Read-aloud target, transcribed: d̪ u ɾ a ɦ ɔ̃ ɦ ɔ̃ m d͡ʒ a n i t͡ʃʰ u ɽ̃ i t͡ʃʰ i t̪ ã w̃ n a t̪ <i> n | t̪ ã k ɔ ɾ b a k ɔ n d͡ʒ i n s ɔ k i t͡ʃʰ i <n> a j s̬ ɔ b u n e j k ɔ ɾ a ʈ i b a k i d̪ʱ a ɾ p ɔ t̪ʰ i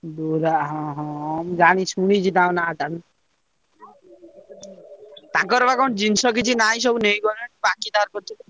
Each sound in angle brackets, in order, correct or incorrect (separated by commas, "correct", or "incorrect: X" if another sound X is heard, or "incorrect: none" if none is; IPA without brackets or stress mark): incorrect: a, correct